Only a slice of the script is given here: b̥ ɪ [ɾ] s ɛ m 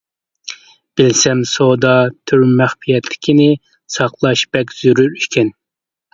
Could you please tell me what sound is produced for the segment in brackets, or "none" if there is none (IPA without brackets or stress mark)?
l